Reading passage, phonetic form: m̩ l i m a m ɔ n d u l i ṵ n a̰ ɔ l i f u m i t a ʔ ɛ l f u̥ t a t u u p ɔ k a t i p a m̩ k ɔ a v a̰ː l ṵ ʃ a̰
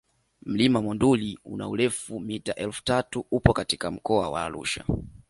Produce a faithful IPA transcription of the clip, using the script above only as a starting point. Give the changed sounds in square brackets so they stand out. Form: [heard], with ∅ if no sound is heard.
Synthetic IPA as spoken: m̩ l i m a m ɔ n d u l i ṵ n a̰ [u] l [ɛ] f u m i t a ʔ ɛ l f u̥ t a t u u p ɔ k a t i [k] a m̩ k ɔ a [w] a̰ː l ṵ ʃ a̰